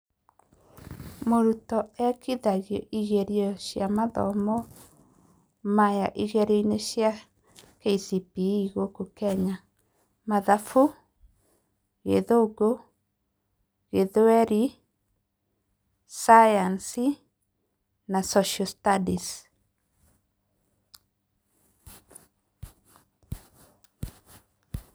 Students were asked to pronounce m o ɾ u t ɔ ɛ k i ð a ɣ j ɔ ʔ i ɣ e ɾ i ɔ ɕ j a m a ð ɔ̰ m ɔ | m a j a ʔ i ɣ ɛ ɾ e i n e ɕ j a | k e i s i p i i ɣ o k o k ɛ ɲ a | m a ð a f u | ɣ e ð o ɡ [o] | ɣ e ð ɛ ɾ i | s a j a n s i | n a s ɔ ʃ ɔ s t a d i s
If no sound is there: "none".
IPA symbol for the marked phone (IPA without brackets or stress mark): o